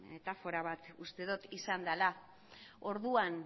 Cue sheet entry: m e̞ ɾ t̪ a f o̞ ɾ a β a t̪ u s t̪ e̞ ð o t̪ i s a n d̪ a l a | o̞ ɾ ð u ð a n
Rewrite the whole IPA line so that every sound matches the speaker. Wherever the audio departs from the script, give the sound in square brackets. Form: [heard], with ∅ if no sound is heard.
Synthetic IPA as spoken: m e̞ [∅] t̪ a f o̞ ɾ a β a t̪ u s t̪ e̞ ð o t̪ i s a n d̪ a l a | o̞ ɾ ð u [∅] a n